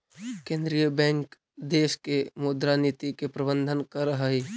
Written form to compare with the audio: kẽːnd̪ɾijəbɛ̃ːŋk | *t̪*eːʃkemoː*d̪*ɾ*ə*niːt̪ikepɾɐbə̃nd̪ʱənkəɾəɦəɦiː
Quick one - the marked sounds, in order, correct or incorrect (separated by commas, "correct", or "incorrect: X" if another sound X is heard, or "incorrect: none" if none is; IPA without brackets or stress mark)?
incorrect: d̪, correct, incorrect: a